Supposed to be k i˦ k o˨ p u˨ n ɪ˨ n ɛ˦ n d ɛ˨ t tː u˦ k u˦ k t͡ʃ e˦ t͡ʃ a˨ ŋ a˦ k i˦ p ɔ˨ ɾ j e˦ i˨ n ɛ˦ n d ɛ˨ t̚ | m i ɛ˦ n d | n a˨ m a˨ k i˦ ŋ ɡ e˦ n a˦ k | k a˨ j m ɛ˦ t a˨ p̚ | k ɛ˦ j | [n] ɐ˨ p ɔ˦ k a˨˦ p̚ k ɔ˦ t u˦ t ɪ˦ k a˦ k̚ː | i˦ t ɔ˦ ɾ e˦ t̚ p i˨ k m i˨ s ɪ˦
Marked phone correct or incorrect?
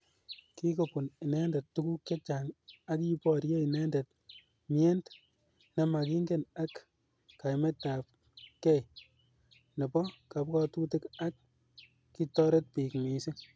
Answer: correct